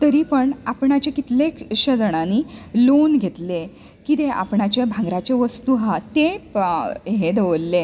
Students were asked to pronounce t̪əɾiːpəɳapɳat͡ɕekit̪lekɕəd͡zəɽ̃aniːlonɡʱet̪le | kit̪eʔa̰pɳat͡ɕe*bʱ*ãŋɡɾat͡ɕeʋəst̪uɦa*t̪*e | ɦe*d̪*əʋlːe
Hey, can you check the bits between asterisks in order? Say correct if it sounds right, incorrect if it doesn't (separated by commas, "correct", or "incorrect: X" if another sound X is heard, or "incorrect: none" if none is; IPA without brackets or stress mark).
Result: correct, correct, correct